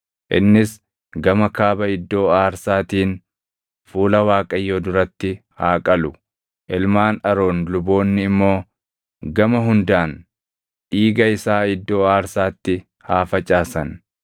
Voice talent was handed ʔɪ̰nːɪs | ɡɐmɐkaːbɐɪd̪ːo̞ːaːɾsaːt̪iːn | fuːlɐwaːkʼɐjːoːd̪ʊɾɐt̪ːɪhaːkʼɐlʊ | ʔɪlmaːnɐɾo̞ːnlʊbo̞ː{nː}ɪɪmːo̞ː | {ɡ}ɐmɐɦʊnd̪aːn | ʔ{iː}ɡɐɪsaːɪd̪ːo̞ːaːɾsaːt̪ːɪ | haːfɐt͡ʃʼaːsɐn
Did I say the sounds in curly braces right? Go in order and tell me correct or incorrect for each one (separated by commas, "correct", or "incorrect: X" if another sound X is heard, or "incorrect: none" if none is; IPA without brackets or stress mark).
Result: correct, correct, correct